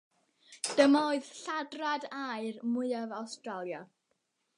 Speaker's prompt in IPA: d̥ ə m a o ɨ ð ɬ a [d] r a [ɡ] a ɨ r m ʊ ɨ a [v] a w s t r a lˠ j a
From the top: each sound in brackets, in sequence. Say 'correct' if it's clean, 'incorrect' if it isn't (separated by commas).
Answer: correct, incorrect, correct